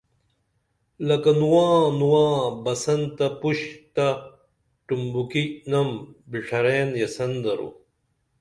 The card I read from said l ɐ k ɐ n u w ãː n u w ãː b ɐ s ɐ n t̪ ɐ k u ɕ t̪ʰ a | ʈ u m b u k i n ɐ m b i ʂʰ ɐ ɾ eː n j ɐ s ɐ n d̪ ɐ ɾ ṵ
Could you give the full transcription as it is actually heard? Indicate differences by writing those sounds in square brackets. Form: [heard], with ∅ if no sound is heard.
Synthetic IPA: l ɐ k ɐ n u w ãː n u w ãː b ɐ s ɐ n t̪ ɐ [p] u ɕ [t̪] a | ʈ u m b u k i n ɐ m b i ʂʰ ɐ ɾ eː n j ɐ s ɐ n d̪ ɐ ɾ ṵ